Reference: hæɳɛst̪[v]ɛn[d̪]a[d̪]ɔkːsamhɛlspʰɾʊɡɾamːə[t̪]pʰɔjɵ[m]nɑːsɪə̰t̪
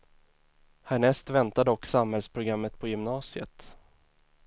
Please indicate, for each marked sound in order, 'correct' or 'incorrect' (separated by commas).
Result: correct, incorrect, correct, correct, correct